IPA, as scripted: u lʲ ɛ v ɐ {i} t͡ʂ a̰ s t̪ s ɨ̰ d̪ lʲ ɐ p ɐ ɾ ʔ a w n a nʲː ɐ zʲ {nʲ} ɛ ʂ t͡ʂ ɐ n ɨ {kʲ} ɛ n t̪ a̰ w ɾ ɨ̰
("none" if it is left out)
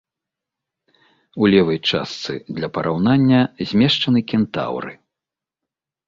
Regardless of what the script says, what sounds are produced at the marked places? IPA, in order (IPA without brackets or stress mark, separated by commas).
j, mʲ, kʲ